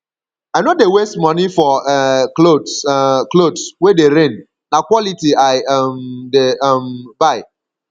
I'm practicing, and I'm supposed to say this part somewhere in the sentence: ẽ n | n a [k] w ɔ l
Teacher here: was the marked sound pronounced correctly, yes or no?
yes